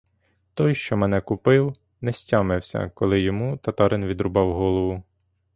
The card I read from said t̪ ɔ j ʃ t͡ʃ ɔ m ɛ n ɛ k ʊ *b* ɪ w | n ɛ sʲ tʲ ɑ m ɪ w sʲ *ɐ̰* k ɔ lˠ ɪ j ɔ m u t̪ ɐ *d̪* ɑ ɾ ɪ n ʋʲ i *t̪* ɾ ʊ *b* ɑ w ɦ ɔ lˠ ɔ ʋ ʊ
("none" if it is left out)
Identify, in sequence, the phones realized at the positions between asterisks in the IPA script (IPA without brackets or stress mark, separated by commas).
p, ɐ̰, t̪, d̪, b